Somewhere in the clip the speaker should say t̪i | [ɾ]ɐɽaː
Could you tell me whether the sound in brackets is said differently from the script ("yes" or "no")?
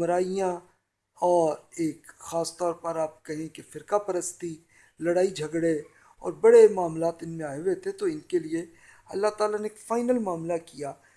yes